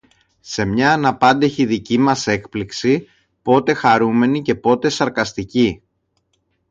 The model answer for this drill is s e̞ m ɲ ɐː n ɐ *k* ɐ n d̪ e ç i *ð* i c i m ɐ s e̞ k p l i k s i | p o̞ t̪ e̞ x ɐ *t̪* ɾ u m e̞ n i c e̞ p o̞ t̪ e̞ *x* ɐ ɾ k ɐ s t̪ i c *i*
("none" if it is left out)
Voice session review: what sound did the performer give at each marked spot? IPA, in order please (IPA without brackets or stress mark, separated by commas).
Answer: p, ð, none, s, i